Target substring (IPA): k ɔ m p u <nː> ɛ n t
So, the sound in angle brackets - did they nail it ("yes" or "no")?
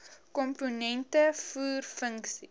no